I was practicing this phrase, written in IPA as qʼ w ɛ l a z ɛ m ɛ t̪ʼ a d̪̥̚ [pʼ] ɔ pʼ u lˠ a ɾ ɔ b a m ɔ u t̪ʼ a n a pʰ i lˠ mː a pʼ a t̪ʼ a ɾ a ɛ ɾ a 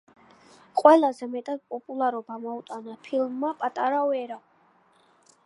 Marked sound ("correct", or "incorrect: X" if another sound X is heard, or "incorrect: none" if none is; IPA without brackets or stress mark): correct